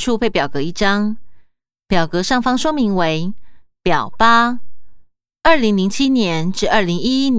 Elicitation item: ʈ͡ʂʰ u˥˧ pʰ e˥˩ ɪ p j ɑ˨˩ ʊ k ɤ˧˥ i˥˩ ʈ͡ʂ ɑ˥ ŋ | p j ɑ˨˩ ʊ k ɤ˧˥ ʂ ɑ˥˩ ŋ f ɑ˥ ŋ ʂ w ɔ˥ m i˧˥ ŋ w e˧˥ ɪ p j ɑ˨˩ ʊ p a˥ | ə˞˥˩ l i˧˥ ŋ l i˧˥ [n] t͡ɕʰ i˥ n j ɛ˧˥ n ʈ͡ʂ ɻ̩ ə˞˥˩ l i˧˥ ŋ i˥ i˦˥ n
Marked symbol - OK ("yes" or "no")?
no